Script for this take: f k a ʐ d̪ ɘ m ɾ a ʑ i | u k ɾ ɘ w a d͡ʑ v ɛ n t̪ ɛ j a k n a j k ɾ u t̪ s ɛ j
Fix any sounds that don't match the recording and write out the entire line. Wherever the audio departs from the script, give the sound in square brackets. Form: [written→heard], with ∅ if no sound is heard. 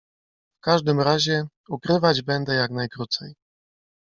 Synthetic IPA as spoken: f k a ʐ d̪ ɘ m ɾ a ʑ [i→ɛ] | u k ɾ ɘ [w→v] a d͡ʑ [v→b] ɛ n [t̪→d̪] ɛ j a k n a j k ɾ u t̪ s ɛ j